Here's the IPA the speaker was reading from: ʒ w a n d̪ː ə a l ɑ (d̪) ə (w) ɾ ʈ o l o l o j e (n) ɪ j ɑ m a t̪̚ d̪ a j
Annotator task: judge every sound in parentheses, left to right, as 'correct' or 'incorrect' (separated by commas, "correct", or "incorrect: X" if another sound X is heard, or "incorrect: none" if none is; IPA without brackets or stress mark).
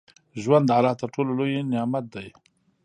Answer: incorrect: t̪, incorrect: none, correct